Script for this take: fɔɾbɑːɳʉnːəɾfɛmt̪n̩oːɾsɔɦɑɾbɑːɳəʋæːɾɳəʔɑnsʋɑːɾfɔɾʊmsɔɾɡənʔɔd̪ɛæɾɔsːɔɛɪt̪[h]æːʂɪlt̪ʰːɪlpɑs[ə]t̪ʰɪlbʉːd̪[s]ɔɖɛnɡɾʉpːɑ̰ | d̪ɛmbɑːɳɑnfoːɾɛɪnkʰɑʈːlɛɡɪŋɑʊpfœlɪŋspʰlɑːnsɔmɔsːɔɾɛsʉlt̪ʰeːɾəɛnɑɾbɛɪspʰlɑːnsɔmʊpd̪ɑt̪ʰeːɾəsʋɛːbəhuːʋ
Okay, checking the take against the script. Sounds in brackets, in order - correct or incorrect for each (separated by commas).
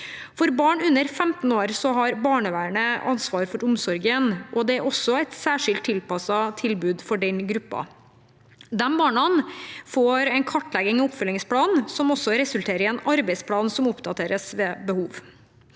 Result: incorrect, incorrect, incorrect